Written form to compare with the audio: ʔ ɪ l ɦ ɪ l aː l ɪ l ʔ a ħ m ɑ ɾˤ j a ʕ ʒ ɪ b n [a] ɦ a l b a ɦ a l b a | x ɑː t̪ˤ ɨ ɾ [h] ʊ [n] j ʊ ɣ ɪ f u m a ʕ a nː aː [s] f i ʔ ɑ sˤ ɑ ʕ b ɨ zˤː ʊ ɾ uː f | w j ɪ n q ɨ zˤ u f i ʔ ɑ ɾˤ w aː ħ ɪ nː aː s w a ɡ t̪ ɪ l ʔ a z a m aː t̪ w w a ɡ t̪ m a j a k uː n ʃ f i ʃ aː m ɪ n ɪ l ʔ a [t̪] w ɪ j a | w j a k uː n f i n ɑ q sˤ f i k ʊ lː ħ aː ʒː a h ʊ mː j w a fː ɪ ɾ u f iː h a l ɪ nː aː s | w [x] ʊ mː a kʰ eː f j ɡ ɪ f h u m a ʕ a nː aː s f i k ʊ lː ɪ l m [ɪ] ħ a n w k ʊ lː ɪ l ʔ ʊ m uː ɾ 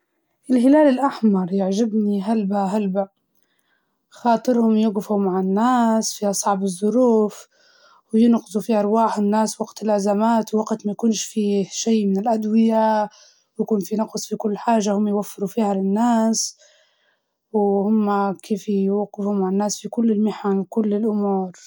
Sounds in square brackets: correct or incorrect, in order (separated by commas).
incorrect, correct, incorrect, correct, incorrect, incorrect, correct